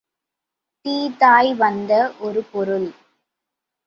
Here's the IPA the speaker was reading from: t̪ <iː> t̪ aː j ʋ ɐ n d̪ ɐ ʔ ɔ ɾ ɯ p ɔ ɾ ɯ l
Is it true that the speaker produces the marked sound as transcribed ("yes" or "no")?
yes